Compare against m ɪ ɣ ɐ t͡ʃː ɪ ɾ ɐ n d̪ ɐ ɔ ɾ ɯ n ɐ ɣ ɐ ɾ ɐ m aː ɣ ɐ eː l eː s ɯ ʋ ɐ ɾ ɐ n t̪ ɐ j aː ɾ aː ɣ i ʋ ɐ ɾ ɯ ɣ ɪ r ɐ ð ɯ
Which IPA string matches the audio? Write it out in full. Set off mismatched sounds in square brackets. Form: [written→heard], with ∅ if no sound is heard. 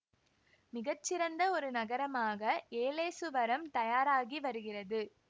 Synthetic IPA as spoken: m ɪ ɣ ɐ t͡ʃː ɪ ɾ ɐ n d̪ ɐ ɔ ɾ ɯ n ɐ ɣ ɐ ɾ ɐ m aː ɣ ɐ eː l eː s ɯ ʋ ɐ ɾ ɐ [n→m] t̪ ɐ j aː ɾ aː ɣ i ʋ ɐ ɾ ɯ ɣ ɪ r ɐ ð ɯ